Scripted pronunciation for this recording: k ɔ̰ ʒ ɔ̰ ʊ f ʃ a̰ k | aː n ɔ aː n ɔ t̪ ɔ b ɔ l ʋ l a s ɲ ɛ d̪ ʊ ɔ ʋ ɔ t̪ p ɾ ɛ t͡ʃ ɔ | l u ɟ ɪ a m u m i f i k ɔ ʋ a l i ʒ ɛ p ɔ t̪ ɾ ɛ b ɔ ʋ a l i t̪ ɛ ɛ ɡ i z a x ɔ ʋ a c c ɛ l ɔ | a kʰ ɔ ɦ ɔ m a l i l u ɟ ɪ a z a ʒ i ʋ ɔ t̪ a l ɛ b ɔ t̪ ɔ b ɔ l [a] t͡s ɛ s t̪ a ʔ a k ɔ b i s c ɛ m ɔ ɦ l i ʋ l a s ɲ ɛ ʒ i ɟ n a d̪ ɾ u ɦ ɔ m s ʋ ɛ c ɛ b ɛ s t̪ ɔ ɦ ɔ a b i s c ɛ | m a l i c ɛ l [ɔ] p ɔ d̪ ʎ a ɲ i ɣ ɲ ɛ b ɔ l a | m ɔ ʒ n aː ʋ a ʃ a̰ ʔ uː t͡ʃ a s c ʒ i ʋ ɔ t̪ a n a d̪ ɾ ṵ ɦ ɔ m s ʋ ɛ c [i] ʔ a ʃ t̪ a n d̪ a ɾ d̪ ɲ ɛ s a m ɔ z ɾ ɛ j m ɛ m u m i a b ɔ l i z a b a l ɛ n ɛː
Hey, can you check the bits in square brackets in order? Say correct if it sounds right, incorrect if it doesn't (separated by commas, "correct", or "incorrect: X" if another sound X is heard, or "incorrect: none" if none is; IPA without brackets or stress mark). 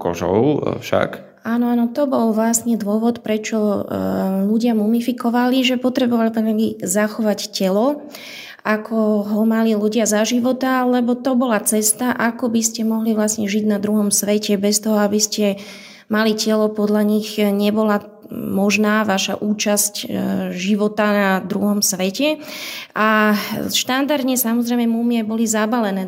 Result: correct, correct, incorrect: ɛ